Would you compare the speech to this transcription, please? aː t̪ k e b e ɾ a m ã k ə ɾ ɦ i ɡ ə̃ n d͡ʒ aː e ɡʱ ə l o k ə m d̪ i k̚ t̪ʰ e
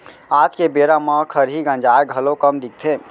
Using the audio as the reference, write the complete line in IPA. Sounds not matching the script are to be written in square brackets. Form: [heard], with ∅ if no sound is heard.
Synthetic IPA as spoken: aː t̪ k e b e ɾ a m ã [kʰ] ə ɾ ɦ i ɡ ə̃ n d͡ʒ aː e ɡʱ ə l o k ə m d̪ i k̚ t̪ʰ e